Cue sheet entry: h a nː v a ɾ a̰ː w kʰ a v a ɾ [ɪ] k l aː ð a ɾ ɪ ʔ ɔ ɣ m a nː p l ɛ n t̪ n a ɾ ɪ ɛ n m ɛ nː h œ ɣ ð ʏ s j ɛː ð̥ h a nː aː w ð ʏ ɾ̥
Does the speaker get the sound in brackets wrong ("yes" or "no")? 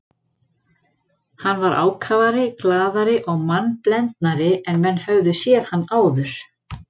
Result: no